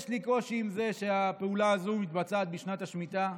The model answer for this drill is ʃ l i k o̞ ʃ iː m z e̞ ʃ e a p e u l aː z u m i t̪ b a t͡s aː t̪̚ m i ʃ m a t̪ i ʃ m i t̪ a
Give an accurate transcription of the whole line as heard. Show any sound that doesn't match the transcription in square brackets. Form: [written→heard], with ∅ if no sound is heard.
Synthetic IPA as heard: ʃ l i k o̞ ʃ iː m z e̞ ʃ e a p e u l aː z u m i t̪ b a t͡s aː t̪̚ [m→b] i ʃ [m→n] a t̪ [i→a] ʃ m i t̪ a